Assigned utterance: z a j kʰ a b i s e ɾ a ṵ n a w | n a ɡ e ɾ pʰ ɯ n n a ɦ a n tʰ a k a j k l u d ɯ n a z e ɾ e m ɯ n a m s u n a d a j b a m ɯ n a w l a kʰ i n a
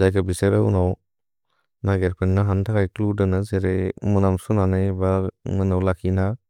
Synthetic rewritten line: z a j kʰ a b i s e ɾ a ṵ n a w | n a ɡ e ɾ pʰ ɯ n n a ɦ a n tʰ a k a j k l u d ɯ n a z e ɾ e m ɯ n a m s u n a n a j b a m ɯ n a w l a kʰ i n a